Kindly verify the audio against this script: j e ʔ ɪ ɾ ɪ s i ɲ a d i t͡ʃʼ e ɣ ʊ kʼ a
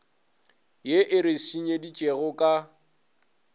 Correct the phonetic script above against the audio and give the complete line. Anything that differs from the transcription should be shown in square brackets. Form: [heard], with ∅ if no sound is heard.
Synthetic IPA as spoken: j e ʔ ɪ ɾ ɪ s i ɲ [e] d i t͡ʃʼ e ɣ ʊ kʼ a